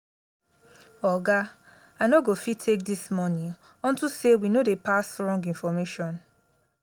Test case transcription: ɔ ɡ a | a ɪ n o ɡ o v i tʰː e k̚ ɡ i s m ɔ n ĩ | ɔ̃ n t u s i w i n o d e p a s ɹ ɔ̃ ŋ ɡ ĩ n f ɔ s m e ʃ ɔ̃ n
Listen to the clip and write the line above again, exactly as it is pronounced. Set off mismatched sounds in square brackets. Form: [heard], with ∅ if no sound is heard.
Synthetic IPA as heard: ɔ ɡ a | a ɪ n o ɡ o [f] i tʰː e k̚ [d] i s m ɔ n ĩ | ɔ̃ n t u s [e] w i n o d e p a s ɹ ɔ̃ ŋ ɡ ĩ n f ɔ [∅] m e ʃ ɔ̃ n